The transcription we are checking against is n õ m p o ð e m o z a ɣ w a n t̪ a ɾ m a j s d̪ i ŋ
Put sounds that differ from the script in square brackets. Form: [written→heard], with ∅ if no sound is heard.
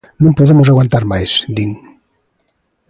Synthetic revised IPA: n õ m p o ð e m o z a ɣ w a n t̪ a ɾ m a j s d̪ i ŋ